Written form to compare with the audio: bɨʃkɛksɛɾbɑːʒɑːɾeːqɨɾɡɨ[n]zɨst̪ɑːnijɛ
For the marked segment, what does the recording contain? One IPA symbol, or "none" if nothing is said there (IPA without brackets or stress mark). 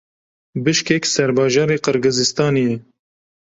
none